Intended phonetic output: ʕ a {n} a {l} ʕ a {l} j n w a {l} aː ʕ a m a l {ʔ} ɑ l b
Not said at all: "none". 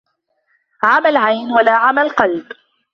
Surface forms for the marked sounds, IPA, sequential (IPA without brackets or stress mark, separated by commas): m, l, none, l, q